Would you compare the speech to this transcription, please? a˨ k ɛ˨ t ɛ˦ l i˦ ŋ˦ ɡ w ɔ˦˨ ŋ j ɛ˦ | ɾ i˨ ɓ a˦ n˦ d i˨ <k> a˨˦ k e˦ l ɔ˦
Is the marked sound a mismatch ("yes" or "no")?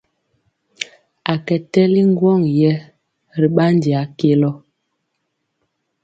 yes